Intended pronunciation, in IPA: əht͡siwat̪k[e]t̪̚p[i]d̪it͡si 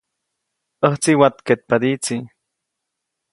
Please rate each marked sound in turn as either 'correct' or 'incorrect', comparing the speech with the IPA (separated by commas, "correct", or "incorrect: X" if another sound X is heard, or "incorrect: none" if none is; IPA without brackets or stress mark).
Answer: correct, incorrect: a